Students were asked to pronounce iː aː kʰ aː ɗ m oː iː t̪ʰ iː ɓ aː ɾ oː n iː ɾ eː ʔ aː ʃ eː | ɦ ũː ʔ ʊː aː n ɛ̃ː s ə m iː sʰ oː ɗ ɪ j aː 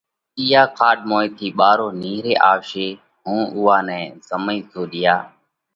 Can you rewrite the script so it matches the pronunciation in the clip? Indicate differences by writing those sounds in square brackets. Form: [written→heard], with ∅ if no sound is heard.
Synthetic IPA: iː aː kʰ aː ɗ m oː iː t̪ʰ iː ɓ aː ɾ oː n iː ɾ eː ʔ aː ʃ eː | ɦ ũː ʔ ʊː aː n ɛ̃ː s ə m iː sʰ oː ɗ ɪ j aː